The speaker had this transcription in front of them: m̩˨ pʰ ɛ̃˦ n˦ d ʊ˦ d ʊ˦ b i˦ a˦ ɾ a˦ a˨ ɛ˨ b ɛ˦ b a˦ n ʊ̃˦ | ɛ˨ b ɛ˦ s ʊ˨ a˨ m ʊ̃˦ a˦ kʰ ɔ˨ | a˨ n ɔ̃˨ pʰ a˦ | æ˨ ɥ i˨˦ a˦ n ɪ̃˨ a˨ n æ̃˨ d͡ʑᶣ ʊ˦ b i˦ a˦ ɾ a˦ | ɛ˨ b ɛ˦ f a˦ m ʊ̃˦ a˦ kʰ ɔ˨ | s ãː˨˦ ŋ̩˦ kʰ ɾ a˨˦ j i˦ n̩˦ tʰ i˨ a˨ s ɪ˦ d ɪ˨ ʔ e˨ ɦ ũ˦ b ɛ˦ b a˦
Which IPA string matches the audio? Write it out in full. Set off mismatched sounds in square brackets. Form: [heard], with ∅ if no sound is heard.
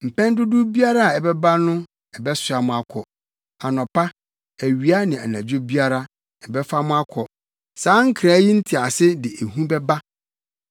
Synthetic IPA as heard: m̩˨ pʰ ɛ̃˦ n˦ d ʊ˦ d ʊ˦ b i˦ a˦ ɾ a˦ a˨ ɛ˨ b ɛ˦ b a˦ n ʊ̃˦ | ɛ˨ b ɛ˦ s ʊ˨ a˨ m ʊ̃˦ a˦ kʰ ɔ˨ | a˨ n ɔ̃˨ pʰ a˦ | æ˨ ɥ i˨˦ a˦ n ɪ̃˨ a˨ n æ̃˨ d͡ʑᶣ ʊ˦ b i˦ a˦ ɾ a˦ | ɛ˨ b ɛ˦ f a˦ m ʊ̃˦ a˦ kʰ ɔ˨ | s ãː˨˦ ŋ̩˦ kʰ ɾ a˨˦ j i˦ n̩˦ tʰ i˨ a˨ s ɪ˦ d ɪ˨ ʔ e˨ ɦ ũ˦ b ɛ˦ b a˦